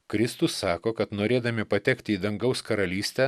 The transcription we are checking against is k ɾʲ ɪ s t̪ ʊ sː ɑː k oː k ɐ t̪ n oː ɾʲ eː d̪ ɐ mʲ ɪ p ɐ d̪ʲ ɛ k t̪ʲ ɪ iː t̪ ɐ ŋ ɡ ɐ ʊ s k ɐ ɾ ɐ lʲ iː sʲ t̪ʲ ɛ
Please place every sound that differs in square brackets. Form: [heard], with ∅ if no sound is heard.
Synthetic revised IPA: k ɾʲ ɪ s t̪ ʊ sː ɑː k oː k ɐ t̪ n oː ɾʲ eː d̪ ɐ mʲ ɪ p ɐ [t̪ʲ] ɛ k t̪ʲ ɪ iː [d̪] ɐ ŋ ɡ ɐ ʊ s k ɐ ɾ ɐ lʲ iː sʲ t̪ʲ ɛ